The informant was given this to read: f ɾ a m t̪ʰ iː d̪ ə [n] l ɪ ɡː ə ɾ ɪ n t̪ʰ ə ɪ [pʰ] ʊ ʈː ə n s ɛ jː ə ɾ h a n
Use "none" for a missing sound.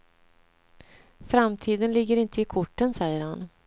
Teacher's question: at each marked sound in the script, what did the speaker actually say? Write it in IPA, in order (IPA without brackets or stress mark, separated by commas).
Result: n, kʰ